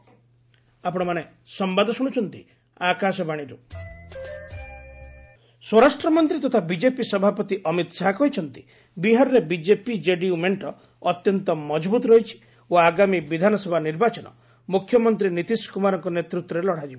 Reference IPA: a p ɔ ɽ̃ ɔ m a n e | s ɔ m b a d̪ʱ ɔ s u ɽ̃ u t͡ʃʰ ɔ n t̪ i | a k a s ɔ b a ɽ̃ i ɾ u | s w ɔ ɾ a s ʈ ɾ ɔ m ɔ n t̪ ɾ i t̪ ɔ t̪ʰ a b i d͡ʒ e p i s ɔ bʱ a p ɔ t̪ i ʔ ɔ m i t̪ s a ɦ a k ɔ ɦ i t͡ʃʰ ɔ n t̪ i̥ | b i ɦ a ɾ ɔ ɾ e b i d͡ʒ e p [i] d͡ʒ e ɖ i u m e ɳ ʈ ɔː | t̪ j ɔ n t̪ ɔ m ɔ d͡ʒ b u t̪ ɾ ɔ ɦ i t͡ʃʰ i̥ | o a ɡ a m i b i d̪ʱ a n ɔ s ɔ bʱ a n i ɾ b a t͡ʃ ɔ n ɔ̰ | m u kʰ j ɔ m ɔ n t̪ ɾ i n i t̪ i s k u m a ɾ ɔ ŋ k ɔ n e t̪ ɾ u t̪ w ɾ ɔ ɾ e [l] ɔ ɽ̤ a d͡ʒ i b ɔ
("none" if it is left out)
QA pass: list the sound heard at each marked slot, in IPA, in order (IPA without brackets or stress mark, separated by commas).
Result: i, l